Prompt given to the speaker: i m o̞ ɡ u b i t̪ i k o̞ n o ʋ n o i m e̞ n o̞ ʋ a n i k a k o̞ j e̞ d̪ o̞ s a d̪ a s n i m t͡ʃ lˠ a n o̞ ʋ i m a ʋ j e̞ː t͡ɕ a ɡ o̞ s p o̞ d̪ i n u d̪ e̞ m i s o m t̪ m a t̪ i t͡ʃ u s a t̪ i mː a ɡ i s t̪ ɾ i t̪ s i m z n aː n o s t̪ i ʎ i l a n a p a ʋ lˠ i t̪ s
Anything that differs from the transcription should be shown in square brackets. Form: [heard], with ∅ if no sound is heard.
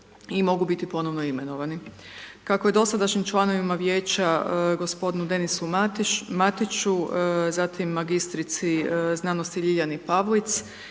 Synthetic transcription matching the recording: i m o̞ ɡ u b i t̪ i [p] o̞ n o ʋ n o i m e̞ n o̞ ʋ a n i k a k o̞ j e̞ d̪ o̞ s a d̪ a [ʃ] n i m t͡ʃ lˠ a n o̞ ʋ i m a ʋ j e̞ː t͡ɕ a ɡ o̞ s p o̞ d̪ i n u d̪ e̞ [n] i s [u] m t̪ m a t̪ i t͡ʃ u [z] a t̪ i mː a ɡ i s t̪ ɾ i t̪ s i [∅] z n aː n o s t̪ i ʎ i [ʎ] a n [i] p a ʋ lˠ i t̪ s